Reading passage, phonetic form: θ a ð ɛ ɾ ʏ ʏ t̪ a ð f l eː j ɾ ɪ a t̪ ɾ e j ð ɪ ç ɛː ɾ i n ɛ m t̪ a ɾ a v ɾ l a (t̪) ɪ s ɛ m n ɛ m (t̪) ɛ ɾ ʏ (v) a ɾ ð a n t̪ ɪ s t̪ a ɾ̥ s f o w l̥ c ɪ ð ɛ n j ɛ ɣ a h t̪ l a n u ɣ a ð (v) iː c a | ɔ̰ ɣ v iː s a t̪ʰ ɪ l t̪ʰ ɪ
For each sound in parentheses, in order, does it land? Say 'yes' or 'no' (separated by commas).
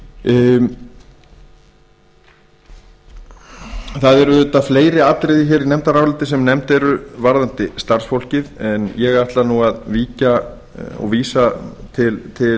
yes, yes, yes, yes